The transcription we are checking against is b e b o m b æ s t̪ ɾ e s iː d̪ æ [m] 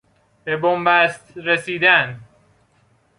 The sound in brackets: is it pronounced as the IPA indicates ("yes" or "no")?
no